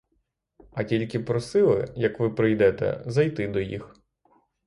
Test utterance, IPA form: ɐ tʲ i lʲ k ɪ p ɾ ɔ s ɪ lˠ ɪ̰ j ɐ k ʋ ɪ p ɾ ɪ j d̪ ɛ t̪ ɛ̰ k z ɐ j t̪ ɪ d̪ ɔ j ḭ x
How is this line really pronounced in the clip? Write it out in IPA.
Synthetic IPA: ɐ tʲ i lʲ k ɪ p ɾ ɔ s ɪ lˠ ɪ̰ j ɐ k ʋ ɪ p ɾ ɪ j d̪ ɛ t̪ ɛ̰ z ɐ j t̪ ɪ d̪ ɔ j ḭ x